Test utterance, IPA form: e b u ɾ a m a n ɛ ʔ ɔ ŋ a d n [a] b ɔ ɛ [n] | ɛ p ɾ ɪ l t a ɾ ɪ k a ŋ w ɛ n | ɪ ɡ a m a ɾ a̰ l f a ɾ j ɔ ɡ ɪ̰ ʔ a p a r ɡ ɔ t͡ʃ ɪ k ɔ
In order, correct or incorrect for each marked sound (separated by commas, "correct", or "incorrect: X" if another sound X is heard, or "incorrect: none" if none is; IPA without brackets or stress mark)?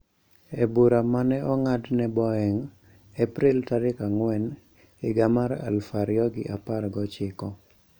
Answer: incorrect: ɛ, incorrect: ŋ